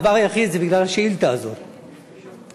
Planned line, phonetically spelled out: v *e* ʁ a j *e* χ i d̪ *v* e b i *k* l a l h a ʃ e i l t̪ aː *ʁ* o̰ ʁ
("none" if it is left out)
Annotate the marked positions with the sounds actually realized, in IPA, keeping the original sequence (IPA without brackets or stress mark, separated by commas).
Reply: a, a, z, ɡ, z